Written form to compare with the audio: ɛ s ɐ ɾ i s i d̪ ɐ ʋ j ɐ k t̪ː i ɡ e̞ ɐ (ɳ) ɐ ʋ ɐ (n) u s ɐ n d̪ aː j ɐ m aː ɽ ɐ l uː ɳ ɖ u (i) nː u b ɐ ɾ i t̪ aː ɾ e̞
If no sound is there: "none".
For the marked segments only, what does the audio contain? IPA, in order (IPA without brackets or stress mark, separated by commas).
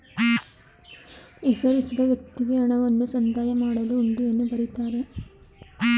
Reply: ɳ, nː, e